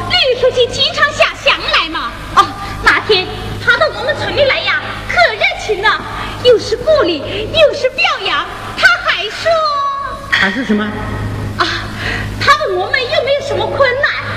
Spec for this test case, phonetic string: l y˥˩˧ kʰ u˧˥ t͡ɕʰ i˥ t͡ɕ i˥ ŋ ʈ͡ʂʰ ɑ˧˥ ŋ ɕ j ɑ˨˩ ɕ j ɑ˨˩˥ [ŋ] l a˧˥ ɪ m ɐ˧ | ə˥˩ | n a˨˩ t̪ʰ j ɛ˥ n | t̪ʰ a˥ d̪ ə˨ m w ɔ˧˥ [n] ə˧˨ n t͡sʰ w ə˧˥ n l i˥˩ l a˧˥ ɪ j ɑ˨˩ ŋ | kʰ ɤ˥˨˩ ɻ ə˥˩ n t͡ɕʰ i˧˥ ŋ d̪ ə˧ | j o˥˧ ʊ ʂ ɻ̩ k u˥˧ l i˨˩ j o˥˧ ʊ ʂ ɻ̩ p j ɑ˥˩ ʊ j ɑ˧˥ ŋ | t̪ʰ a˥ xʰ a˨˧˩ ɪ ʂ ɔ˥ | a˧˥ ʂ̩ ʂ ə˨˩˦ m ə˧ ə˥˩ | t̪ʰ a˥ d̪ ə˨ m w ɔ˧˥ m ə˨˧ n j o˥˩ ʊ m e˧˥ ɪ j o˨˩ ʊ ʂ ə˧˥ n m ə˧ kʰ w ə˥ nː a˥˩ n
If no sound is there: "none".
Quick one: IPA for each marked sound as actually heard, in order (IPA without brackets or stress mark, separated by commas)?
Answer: ŋ, m